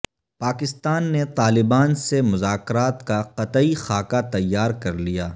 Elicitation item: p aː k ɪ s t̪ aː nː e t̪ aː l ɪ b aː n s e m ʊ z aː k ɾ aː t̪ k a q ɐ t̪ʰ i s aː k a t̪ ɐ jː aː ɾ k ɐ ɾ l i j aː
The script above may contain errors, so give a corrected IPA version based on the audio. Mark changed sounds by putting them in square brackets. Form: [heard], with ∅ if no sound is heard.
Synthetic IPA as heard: p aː k ɪ s t̪ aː nː e t̪ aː l ɪ b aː n s e m ʊ z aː k ɾ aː t̪ k a q ɐ [t̪] i [x] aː k a t̪ ɐ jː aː ɾ k ɐ ɾ l i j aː